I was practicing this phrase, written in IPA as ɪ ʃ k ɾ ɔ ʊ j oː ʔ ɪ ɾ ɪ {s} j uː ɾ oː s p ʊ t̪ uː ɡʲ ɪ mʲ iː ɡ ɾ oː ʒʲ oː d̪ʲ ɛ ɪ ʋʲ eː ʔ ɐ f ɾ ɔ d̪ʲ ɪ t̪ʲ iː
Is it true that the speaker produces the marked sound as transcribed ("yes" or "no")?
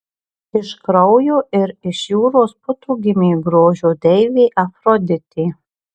no